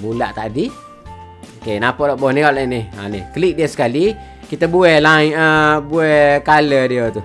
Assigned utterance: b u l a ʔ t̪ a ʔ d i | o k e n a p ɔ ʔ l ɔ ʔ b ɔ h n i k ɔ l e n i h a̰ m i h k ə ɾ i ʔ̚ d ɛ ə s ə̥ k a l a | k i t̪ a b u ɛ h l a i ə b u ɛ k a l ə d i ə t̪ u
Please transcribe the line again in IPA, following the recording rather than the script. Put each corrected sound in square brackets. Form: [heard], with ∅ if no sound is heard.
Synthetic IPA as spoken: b u l a ʔ t̪ a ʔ d i | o k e n a p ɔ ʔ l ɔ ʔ b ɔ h n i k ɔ l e n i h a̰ [n] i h k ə [l] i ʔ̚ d [i] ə s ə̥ k a l [i] | k i t̪ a b u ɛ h l a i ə b u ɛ k a l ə d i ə t̪ u